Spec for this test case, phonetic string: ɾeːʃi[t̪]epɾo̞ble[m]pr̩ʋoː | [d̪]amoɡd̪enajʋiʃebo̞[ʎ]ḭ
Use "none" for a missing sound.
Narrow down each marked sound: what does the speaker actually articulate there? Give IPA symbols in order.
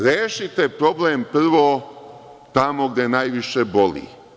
t̪, m, t̪, l

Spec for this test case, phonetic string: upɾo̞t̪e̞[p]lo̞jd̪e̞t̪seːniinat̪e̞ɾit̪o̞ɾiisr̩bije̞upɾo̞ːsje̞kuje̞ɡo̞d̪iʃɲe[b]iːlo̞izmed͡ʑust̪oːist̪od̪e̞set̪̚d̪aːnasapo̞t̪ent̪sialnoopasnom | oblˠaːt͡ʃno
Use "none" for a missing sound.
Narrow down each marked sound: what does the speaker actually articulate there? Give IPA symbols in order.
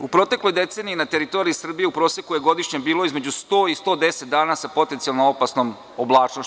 k, b

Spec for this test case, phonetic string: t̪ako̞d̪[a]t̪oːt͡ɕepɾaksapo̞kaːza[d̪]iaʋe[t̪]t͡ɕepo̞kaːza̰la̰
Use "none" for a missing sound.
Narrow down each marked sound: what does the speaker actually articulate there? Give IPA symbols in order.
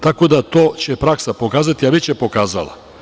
a, t̪, none

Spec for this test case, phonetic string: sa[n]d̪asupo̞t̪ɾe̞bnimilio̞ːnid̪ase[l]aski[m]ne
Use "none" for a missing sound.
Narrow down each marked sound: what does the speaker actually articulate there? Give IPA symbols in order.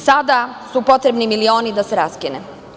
none, ɾ, none

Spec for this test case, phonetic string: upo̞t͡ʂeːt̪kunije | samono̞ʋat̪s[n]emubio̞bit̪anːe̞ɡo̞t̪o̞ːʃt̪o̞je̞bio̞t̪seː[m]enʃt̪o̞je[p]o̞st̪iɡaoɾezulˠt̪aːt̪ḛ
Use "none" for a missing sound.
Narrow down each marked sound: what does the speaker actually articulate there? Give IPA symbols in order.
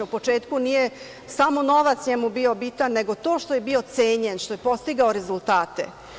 ɲ, ɲ, p

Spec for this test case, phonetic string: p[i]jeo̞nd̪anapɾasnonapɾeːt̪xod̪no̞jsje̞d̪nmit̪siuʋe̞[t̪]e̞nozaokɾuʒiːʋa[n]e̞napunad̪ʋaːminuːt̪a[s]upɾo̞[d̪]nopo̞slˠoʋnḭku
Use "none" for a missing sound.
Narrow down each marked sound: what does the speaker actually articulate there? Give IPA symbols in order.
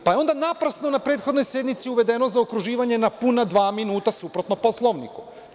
a, d̪, ɲ, s, t̪

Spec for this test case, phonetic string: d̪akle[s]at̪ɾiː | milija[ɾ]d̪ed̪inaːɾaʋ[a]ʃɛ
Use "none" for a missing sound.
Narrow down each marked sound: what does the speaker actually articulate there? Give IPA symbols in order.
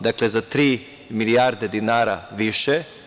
z, ɾ, i

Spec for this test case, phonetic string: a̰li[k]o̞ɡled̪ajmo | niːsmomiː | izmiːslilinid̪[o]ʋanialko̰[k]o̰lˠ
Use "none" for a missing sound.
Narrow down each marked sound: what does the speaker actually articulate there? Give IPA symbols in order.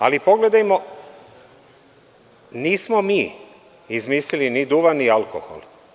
p, u, x

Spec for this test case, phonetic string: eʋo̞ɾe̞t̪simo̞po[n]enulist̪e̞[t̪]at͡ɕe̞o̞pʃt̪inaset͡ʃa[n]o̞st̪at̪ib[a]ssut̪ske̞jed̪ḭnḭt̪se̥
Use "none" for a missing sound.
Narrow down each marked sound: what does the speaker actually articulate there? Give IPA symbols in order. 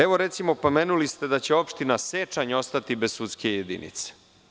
m, d̪, ɲ, e

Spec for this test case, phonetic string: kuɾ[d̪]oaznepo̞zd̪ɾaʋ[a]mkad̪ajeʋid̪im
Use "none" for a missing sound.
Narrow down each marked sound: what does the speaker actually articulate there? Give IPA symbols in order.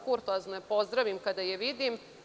t̪, i

